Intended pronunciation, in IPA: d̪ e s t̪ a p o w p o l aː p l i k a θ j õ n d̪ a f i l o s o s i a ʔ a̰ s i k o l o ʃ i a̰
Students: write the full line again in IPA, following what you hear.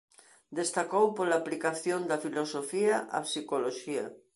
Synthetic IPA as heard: d̪ e s t̪ a k o w p o l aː p l i k a θ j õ n d̪ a f i l o s o f i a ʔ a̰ s i k o l o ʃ i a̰

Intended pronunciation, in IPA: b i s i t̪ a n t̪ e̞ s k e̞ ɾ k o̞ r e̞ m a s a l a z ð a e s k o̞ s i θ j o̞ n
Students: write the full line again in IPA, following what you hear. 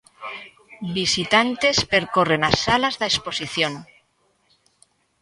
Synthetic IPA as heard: b i s i t̪ a n t̪ e̞ s p e̞ ɾ k o̞ r e̞ n a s a l a z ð a e s p o̞ s i θ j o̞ n

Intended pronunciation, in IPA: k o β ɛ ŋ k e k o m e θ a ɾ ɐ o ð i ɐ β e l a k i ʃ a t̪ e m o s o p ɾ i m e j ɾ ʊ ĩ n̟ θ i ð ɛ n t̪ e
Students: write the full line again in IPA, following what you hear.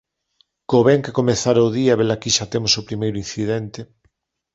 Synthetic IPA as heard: k o β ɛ ŋ k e k o m e θ a ɾ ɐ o ð i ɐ β e l a k i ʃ a t̪ e m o s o p ɾ i m e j ɾ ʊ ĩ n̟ θ i ð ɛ n t̪ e

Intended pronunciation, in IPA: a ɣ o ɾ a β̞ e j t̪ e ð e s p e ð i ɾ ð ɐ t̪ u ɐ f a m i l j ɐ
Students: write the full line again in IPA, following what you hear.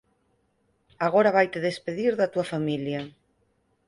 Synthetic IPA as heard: a ɣ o ɾ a β̞ a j t̪ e ð e s p e ð i ɾ ð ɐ t̪ u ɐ f a m i l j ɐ

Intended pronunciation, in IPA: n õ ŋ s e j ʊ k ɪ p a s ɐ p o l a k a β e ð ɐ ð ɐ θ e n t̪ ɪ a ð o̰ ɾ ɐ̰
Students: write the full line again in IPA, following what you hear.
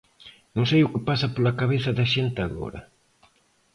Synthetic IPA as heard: n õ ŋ s e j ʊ k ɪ p a s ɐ p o l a k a β e θ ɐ ð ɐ ʃ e n t̪ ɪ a ɣ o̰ ɾ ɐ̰

